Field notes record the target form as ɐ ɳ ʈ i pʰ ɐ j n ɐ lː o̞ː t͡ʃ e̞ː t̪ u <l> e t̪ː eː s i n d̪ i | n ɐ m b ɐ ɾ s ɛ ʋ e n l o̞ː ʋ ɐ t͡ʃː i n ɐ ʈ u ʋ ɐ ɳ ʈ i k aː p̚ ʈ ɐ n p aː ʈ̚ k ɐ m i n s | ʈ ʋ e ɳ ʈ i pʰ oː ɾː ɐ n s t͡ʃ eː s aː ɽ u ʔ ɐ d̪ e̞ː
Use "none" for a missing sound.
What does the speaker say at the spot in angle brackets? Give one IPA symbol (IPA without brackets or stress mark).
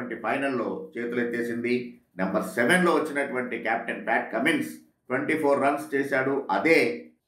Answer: l